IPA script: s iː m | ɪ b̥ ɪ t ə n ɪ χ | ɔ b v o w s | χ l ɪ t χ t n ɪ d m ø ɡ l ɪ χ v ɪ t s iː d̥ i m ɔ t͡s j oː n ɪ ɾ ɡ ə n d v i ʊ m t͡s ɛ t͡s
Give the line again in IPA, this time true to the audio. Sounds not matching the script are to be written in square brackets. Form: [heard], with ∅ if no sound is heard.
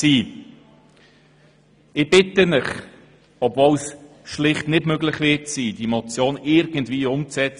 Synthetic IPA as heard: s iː [∅] | ɪ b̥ ɪ t ə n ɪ χ | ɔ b v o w s | [ʃ] l ɪ [∅] χ t n ɪ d m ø ɡ l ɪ χ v ɪ t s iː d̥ i m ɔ t͡s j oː n ɪ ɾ ɡ ə n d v [iː] ʊ m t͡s ɛ t͡s